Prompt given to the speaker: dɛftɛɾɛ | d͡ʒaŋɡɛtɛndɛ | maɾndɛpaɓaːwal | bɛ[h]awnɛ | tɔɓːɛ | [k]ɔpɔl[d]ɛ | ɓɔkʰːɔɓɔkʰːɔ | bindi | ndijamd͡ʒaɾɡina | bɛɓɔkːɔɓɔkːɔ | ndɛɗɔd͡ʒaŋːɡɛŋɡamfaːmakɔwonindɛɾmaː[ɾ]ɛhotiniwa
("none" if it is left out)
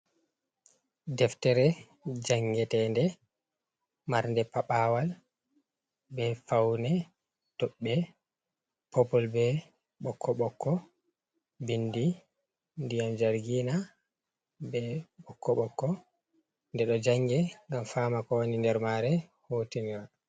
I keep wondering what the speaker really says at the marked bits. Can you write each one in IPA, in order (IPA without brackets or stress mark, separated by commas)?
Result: f, p, b, ɾ